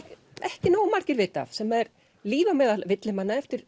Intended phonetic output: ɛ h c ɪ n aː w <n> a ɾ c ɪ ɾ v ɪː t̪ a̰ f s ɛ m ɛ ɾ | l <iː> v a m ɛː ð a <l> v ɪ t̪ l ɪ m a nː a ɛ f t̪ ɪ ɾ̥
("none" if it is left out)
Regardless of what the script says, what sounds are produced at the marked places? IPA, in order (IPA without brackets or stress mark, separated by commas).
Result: m, iː, l